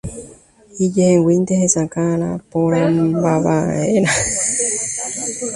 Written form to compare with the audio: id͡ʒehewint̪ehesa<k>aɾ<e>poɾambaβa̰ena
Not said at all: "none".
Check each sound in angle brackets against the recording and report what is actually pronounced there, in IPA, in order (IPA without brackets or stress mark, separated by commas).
k, a